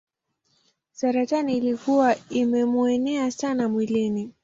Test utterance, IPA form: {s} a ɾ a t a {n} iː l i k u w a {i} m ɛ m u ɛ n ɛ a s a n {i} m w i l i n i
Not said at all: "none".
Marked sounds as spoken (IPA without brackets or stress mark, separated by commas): s, n, i, a